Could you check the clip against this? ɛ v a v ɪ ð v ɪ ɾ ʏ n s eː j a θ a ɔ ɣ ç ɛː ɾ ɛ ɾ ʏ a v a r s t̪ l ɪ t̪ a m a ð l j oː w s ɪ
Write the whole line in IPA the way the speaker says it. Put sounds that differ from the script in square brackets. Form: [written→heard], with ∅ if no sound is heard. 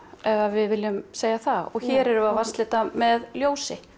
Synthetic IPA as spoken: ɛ v a v ɪ ð v ɪ [ɾ→l] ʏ [n→m] s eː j a θ a ɔ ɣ ç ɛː ɾ ɛ ɾ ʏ a v a r s t̪ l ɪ t̪ a m [a→ɛ] ð l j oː w s ɪ